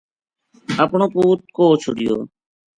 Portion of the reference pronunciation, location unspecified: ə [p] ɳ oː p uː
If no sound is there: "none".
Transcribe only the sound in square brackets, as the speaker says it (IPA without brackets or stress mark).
p